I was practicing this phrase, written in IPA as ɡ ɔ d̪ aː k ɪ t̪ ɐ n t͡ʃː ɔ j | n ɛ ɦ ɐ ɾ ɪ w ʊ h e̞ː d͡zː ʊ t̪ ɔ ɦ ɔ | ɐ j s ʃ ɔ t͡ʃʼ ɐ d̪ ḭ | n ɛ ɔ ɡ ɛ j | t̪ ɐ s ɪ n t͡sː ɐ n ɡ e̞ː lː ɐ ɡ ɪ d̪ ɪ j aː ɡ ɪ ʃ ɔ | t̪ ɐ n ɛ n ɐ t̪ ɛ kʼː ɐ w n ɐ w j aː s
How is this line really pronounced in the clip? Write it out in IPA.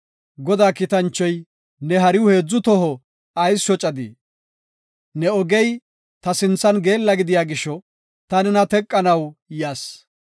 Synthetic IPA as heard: ɡ ɔ d̪ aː k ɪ t̪ ɐ n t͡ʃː ɔ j | n ɛ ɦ ɐ ɾ ɪ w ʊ h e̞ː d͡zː ʊ t̪ ɔ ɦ ɔ | ɐ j s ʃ ɔ t͡ʃʼ ɐ d̪ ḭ | n ɛ ɔ ɡ ɛ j | t̪ ɐ s ɪ n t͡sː ɐ n ɡ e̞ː lː ɐ ɡ ɪ d̪ ɪ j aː ɡ ɪ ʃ ɔ | t̪ ɐ n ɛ n ɐ t̪ ɛ kʼː ɐ n ɐ w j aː s

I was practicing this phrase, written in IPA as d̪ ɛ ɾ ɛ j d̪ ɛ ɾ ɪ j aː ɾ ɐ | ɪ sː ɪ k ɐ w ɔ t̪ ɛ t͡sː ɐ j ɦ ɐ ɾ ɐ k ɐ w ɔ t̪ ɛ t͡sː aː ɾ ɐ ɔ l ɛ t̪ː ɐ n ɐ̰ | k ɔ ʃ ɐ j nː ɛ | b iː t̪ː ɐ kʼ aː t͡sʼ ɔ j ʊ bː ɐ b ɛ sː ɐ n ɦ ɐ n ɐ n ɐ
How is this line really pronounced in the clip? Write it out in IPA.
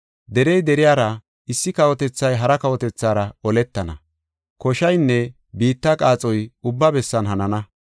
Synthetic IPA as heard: d̪ ɛ ɾ ɛ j d̪ ɛ ɾ ɪ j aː ɾ ɐ | ɪ sː ɪ k ɐ w ɔ t̪ ɛ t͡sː ɐ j ɦ ɐ ɾ ɐ k ɐ w ɔ t̪ ɛ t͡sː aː ɾ ɐ ɔ l ɛ t̪ː ɐ n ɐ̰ | k ɔ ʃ ɐ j nː ɛ | b iː t̪ː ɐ kʼ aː t͡sʼ ɔ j ʊ bː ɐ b ɛ sː ɐ n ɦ ɐ n ɐ n ɐ

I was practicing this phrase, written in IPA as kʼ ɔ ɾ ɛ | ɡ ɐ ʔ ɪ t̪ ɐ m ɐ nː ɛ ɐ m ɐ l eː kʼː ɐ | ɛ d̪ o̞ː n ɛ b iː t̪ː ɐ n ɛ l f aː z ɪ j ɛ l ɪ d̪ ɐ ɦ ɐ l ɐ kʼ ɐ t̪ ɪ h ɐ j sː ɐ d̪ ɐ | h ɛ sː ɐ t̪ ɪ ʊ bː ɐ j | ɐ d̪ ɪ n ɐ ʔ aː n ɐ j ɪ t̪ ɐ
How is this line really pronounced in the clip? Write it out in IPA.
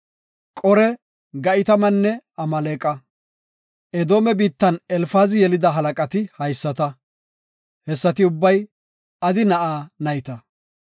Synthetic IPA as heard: kʼ ɔ ɾ ɛ | ɡ ɐ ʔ ɪ t̪ ɐ m ɐ nː ɛ ɐ m ɐ l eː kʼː ɐ | ɛ d̪ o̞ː m ɛ b iː t̪ː ɐ n ɛ l f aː z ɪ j ɛ l ɪ d̪ ɐ ɦ ɐ l ɐ kʼ ɐ t̪ ɪ h ɐ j sː ɐ t̪ ɐ | h ɛ sː ɐ t̪ ɪ ʊ bː ɐ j | ɐ d̪ ɪ n ɐ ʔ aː n ɐ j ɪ t̪ ɐ

